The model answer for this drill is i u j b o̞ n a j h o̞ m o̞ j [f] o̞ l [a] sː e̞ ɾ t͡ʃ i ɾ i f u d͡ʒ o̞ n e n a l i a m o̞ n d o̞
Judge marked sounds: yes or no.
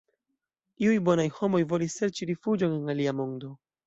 no, no

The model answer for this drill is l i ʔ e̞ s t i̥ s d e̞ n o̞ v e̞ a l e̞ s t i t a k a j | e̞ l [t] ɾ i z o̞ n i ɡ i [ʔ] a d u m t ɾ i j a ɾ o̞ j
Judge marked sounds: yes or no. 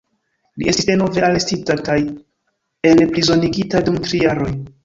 no, no

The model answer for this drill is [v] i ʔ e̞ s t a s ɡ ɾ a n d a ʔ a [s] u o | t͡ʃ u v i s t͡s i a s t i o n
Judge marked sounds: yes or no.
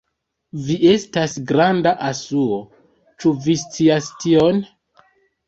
yes, yes

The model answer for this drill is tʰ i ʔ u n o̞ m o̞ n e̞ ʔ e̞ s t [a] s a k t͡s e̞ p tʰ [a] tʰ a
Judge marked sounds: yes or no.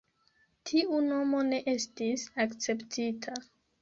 no, no

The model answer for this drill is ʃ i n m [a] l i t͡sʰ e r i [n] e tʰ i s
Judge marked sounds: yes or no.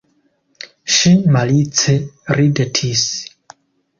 yes, no

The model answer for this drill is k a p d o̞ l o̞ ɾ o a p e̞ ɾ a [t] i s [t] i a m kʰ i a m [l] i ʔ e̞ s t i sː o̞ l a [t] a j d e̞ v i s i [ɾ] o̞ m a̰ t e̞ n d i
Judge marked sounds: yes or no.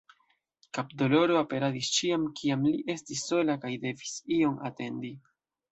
no, no, yes, no, no

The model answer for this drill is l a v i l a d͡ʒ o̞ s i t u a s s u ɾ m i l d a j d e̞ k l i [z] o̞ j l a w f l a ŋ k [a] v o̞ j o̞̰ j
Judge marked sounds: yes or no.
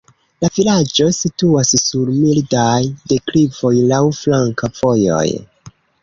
no, yes

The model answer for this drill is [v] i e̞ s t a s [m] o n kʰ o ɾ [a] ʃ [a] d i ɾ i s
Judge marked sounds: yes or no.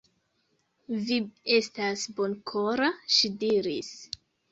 yes, no, yes, no

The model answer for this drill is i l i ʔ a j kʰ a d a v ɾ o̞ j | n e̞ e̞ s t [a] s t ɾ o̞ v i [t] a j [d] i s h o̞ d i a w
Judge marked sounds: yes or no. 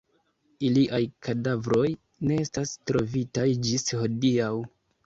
yes, yes, no

